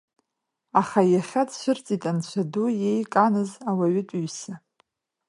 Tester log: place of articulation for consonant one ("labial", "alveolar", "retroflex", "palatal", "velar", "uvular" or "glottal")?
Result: uvular